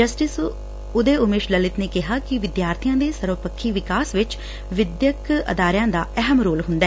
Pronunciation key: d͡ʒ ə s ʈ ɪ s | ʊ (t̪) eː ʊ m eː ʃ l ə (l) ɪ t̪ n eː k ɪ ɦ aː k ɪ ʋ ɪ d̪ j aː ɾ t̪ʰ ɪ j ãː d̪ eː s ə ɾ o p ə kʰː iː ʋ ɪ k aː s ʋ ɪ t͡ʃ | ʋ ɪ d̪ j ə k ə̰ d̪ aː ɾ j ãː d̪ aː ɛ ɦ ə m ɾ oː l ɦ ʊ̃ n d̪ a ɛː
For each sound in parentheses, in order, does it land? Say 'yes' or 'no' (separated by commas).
no, yes